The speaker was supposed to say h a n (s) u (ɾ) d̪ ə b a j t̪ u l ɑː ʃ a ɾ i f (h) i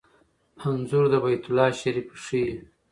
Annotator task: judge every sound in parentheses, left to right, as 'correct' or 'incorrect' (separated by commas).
incorrect, correct, incorrect